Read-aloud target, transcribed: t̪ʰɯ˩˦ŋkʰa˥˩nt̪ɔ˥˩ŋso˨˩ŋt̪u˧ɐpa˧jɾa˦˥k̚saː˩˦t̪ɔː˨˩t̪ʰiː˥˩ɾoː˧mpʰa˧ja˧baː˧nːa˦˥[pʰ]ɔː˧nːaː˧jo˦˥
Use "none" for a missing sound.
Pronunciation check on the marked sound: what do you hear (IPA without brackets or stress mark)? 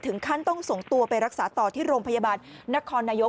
kʰ